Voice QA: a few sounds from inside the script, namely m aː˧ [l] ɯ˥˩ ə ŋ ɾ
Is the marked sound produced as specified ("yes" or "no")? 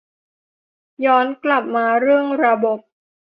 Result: no